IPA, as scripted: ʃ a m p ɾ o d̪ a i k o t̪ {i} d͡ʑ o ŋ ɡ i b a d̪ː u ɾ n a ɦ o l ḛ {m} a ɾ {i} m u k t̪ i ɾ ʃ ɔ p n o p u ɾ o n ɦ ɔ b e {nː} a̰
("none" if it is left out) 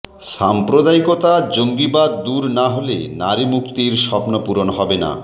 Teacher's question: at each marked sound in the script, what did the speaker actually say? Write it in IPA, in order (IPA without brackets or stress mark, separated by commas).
a, n, i, n